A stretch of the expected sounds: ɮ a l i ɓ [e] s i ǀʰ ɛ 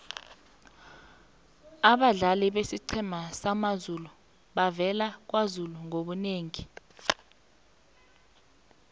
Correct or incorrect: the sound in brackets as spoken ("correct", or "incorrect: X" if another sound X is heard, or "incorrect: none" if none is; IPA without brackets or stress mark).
correct